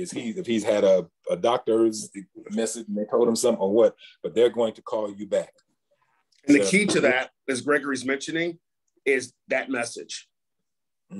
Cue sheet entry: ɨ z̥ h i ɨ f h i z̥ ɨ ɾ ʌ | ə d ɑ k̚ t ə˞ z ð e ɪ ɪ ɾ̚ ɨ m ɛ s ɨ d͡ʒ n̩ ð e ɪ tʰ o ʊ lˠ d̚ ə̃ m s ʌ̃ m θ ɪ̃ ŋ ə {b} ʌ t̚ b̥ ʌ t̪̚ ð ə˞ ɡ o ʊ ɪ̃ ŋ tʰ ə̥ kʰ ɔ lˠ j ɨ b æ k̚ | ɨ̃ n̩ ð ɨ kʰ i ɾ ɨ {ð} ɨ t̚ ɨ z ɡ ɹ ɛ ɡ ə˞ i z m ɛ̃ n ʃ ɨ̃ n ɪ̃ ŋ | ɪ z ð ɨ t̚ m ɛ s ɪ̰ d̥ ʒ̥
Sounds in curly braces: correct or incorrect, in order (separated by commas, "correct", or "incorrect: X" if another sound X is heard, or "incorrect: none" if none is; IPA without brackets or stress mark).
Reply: incorrect: w, correct